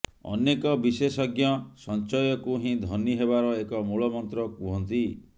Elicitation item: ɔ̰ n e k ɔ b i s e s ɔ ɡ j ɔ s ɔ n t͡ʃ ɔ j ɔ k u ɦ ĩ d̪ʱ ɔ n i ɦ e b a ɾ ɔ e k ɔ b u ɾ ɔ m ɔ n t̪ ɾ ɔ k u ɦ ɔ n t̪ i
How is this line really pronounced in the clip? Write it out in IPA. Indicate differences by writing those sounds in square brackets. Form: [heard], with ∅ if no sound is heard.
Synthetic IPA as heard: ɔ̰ n e k ɔ b i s e s ɔ ɡ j ɔ s ɔ n t͡ʃ ɔ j ɔ k u ɦ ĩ d̪ʱ ɔ n i ɦ e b a ɾ ɔ e k ɔ [m] u [ɭ] ɔ m ɔ n t̪ ɾ ɔ k u ɦ ɔ n t̪ i